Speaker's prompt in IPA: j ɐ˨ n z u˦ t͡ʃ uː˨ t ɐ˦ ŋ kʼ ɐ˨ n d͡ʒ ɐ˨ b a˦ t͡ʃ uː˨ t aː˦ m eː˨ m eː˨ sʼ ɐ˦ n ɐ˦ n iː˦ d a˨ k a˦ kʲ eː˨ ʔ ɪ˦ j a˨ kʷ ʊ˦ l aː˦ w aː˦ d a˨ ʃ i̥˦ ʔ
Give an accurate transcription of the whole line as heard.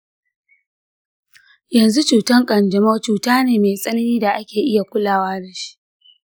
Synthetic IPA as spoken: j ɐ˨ n z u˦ t͡ʃ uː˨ t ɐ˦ ŋ kʼ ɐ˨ n d͡ʒ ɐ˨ m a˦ t͡ʃ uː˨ t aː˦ n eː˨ m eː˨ sʼ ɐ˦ n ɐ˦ n iː˦ d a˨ ʔ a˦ kʲ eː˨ ʔ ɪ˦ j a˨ kʷ ʊ˦ l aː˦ w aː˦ d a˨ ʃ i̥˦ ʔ